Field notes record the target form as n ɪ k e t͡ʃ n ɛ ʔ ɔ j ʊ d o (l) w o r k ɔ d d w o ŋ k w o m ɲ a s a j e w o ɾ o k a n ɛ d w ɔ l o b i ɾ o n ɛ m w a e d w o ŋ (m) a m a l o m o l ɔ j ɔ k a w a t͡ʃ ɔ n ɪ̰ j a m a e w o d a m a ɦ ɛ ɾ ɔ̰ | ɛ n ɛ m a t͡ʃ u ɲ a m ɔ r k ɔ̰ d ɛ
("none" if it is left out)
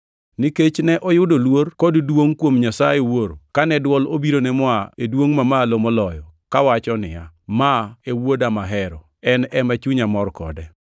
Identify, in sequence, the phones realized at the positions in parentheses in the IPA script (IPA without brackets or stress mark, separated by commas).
l, m